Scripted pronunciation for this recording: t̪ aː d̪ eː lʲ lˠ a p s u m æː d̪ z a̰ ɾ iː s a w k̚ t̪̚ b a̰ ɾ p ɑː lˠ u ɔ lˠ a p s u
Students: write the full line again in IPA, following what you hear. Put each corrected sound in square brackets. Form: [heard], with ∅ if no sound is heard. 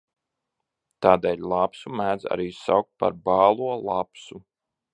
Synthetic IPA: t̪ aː d̪ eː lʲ lˠ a p s u m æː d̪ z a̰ ɾ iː s a w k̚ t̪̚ [p] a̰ ɾ [b] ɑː lˠ u ɔ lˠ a p s u